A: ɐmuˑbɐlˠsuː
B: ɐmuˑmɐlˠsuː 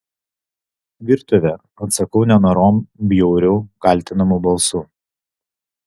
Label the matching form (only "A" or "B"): A